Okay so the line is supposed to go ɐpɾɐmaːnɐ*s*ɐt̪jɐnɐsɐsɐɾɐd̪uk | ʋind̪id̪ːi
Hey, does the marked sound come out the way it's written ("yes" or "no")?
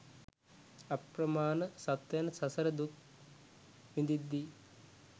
yes